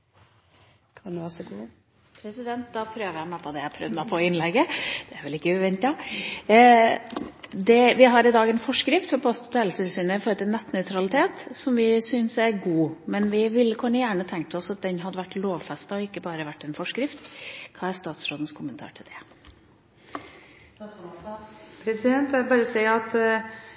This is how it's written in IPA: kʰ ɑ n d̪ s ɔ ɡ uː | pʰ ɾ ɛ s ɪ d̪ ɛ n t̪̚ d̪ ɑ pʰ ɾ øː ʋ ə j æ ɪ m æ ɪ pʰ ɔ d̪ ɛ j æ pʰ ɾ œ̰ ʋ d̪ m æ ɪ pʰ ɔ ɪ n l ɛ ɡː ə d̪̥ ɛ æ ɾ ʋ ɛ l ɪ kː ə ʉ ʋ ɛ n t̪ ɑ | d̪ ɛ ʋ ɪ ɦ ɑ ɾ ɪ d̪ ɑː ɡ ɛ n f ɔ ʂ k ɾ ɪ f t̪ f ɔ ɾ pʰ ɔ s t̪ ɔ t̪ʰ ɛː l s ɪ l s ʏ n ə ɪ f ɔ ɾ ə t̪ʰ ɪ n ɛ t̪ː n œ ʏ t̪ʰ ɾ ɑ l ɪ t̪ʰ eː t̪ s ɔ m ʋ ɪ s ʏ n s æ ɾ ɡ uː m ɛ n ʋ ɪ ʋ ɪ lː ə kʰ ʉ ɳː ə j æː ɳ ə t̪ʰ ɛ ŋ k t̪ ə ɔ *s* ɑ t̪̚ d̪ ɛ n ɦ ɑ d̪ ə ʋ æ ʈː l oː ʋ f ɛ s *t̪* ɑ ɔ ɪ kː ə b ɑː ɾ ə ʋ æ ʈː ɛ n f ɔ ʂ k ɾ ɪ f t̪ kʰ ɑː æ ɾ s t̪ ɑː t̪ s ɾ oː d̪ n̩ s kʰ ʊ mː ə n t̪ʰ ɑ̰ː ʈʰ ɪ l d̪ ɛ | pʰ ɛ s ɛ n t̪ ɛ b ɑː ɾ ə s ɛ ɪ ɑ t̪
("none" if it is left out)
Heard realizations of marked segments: s, t̪

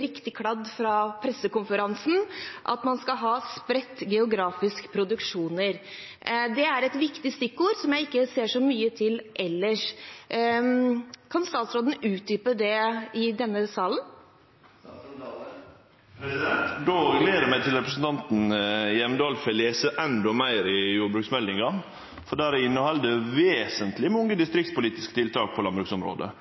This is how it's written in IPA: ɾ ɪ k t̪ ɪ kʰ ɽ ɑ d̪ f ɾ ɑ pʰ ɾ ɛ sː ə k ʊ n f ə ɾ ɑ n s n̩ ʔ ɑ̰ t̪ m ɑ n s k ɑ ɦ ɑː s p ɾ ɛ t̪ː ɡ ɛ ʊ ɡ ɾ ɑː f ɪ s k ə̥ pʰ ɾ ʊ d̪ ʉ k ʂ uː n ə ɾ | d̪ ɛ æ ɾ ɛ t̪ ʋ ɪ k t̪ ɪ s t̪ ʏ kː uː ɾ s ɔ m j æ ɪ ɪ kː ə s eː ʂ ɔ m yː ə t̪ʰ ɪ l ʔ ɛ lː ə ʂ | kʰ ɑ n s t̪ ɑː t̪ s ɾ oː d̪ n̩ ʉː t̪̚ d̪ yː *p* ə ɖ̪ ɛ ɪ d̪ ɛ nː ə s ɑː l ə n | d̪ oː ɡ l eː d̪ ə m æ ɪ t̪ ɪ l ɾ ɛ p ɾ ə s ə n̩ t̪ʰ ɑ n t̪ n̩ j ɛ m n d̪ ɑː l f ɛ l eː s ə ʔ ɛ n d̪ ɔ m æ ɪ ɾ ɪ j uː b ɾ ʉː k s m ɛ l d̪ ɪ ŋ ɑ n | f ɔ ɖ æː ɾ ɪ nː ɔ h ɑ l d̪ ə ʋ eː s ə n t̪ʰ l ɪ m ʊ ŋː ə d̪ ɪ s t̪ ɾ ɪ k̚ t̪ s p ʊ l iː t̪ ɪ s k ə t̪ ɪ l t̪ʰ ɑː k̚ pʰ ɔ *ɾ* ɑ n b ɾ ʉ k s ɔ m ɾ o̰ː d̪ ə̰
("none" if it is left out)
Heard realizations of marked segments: p, l

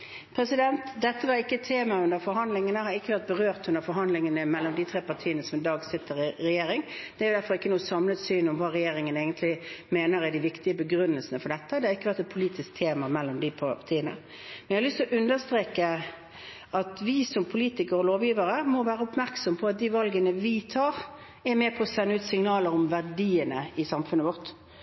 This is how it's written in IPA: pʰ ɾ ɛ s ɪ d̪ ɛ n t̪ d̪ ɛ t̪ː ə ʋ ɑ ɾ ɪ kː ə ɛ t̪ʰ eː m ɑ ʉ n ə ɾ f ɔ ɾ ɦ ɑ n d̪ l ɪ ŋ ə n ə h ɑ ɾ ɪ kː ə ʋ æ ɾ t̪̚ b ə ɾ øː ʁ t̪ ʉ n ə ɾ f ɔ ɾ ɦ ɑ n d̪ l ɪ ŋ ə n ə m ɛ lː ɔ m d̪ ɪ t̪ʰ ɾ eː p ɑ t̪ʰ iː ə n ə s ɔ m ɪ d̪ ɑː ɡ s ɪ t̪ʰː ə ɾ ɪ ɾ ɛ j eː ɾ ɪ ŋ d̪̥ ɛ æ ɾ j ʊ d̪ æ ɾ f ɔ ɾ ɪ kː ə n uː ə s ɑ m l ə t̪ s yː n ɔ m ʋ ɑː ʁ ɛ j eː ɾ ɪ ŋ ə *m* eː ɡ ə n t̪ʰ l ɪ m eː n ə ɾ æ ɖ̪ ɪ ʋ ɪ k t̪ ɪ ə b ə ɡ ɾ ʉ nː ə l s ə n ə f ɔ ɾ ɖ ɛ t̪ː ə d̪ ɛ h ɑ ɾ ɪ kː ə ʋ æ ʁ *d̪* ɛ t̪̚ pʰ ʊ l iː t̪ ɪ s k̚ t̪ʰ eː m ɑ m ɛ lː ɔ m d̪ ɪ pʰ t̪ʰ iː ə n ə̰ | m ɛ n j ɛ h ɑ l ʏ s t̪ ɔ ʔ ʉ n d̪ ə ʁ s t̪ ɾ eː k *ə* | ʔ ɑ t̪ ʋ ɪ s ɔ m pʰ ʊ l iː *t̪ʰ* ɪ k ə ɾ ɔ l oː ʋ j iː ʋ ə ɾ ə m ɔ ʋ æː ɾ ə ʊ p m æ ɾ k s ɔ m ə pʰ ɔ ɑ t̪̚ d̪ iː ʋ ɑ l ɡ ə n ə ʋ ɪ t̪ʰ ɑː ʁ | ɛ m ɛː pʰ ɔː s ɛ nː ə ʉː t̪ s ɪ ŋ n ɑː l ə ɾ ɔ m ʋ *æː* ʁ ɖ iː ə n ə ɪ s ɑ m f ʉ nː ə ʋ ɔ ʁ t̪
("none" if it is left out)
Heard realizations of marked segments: n, t̪, ə, t̪, æ

